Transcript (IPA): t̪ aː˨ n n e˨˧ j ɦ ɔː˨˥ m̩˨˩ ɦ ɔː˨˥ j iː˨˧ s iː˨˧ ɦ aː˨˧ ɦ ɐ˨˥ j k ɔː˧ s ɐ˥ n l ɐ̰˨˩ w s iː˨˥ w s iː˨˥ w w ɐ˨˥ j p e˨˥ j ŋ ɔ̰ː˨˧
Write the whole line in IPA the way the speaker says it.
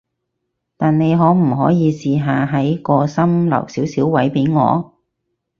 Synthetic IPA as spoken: t̪ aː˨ n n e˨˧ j ɦ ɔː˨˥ m̩˨˩ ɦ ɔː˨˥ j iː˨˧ s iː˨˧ ɦ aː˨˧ ɦ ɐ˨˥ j k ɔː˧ s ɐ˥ m l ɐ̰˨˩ w s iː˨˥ w s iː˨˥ w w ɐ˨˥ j p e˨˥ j ŋ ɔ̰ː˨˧